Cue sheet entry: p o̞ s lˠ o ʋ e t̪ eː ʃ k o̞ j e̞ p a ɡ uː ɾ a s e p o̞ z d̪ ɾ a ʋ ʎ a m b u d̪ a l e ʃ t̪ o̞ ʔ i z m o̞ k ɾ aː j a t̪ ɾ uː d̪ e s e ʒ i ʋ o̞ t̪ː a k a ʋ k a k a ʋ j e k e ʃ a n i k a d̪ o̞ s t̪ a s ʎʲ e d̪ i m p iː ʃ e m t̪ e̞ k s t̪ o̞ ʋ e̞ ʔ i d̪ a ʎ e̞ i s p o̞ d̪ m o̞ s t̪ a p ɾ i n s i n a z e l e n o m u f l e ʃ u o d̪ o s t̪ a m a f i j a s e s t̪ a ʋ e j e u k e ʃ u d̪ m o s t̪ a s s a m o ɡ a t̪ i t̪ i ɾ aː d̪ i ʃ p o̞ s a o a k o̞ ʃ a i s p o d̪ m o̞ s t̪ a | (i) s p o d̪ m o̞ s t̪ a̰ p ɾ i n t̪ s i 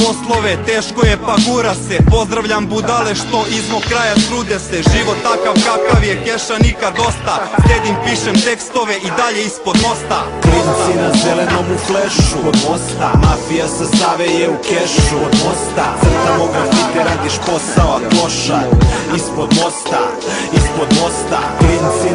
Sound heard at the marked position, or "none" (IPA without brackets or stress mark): i